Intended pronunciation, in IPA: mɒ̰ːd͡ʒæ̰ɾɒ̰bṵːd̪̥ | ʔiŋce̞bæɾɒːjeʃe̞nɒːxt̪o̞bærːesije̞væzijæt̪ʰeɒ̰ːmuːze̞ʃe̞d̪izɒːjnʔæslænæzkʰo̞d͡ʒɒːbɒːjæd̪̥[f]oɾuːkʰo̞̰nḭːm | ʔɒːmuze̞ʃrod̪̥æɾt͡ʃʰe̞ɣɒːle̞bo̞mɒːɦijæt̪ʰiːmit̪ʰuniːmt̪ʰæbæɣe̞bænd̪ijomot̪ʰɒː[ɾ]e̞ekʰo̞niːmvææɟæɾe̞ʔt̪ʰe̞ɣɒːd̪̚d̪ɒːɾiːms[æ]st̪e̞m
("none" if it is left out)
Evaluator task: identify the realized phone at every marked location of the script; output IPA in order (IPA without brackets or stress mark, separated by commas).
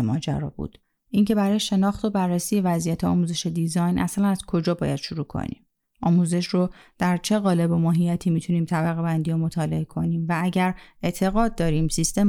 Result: ʃ, l, i